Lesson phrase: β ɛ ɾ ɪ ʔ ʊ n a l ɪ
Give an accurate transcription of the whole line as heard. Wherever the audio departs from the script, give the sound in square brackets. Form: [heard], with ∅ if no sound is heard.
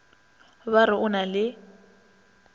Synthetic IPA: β [a] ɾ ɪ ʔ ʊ n a l ɪ